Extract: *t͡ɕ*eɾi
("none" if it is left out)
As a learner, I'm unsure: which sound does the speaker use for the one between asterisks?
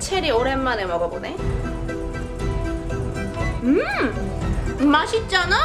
t͡ɕʰ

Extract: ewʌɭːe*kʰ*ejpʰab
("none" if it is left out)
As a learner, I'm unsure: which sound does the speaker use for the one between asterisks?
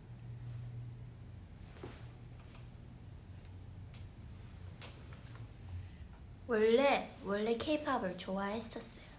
kʰ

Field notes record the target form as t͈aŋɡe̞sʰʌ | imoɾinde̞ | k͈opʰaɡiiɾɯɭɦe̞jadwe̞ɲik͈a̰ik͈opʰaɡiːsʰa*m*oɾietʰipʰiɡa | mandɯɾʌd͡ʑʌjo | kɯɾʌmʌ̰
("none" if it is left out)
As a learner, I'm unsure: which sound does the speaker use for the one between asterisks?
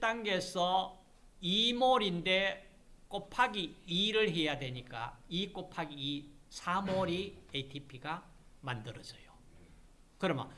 m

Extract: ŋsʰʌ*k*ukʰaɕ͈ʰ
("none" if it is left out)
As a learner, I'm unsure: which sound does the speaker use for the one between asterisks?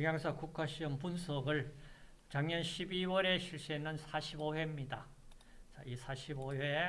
k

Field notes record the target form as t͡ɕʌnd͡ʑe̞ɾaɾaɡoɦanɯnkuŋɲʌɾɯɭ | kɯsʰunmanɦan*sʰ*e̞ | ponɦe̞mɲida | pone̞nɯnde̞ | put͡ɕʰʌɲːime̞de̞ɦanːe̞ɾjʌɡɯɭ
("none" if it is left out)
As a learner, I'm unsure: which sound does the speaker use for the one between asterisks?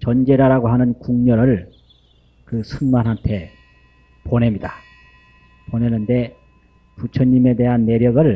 tʰ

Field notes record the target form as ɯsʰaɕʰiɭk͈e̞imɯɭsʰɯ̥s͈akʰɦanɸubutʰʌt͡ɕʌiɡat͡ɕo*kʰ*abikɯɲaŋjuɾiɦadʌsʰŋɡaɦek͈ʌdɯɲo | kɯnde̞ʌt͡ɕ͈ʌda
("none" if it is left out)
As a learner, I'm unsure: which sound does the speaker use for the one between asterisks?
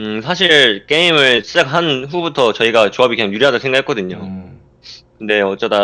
none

